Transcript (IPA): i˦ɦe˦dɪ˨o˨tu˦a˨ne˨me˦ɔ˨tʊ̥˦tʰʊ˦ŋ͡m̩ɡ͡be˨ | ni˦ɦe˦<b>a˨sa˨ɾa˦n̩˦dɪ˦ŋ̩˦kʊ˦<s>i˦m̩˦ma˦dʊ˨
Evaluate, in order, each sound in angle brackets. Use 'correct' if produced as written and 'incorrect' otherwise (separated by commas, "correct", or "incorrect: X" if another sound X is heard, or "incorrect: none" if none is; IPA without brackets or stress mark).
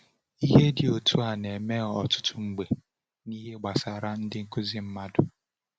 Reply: incorrect: ɡ͡b, incorrect: z